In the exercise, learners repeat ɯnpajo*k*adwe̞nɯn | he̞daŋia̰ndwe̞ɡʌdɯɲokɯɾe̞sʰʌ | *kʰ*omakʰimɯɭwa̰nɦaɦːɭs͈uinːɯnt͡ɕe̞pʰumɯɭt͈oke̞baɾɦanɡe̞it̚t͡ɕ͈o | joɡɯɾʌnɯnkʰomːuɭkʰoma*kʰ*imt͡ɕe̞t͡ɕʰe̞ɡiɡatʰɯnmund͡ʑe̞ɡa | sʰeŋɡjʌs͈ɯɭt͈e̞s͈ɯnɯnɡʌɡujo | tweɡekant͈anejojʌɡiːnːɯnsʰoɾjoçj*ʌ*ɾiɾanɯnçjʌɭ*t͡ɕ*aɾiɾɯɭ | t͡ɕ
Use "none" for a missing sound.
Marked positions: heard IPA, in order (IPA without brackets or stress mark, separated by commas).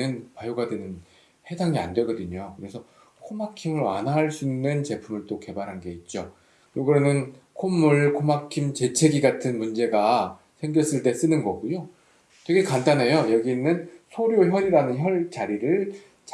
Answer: ɡ, kʰ, kʰ, ʌ, t͡ɕ